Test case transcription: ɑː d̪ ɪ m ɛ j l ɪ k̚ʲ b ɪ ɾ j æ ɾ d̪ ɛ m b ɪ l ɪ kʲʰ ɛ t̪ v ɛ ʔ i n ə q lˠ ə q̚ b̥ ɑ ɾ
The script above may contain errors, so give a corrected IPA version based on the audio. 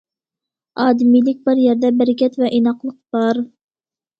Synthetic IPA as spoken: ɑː d̪ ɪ m i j l ɪ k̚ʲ b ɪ ɾ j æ ɾ d̪ ɛ b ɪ ɾ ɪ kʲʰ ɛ t̪ v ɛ ʔ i n ɑ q lˠ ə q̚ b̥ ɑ ɾ